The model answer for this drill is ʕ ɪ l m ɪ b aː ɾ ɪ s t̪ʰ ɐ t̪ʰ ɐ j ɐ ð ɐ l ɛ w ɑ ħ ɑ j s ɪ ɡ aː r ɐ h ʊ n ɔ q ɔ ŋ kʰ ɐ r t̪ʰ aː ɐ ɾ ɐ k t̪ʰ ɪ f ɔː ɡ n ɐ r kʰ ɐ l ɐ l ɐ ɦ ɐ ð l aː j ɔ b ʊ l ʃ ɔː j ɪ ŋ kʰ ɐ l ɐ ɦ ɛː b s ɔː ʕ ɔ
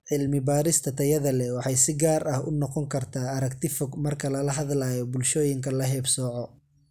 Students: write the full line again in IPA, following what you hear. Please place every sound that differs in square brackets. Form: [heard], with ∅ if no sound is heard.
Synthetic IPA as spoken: ʕ ɪ l m ɪ b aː ɾ ɪ s t̪ʰ ɐ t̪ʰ ɐ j ɐ ð ɐ l ɛ w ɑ ħ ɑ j s ɪ ɡ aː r ɐ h ʊ n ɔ q ɔ ŋ kʰ ɐ r t̪ʰ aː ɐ ɾ ɐ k t̪ʰ ɪ f [ɔ] ɡ [m] ɐ r kʰ ɐ l ɐ l ɐ ɦ ɐ ð l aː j ɔ b ʊ l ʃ ɔː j ɪ ŋ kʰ ɐ l ɐ ɦ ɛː b s ɔː ʕ ɔ